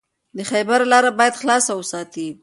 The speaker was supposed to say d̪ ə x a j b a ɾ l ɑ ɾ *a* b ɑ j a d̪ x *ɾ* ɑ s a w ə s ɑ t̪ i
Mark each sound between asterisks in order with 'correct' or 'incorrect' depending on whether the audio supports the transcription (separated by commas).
correct, incorrect